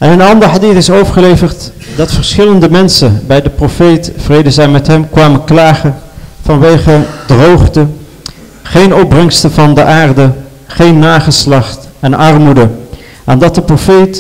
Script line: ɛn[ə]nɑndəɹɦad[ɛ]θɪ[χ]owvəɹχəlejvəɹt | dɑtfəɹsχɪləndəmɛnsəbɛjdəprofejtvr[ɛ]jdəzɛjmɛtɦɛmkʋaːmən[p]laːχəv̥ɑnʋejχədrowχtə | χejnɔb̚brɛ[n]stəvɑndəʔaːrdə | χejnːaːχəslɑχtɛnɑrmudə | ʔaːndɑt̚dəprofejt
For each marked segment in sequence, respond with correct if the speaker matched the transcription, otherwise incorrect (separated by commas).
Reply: correct, incorrect, incorrect, incorrect, incorrect, incorrect